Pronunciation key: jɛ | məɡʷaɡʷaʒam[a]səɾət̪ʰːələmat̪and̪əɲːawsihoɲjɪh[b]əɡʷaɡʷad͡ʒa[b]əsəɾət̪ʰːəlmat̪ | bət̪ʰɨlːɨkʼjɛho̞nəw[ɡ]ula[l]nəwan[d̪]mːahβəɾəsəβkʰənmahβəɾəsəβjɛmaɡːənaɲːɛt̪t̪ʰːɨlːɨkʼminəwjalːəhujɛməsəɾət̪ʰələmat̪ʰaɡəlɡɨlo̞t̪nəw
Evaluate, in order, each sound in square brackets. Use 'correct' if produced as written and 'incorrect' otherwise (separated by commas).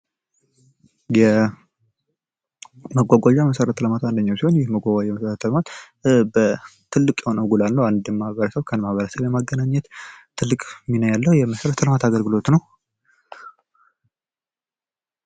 incorrect, incorrect, incorrect, correct, correct, correct